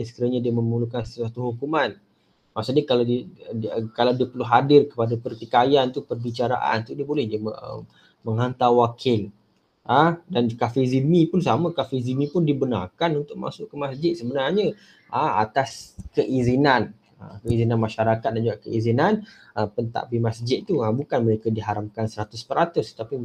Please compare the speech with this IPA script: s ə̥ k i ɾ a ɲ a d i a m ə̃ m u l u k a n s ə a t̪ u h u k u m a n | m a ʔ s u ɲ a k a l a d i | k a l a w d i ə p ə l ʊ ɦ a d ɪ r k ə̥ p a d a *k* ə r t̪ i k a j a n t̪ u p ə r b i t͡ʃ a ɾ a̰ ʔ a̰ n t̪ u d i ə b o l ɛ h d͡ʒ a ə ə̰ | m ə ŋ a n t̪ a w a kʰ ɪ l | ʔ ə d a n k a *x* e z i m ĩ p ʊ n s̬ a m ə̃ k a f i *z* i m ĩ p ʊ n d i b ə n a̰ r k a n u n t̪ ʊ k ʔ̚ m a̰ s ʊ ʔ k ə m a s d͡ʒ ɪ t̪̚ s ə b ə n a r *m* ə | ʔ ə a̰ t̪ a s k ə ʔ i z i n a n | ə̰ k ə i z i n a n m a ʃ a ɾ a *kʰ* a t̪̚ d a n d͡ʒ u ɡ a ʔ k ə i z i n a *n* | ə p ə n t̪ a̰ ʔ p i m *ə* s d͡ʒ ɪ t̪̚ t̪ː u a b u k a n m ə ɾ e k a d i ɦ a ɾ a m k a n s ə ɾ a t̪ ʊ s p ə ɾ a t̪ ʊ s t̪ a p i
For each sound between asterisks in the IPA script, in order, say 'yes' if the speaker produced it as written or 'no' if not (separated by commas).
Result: no, no, yes, no, no, yes, no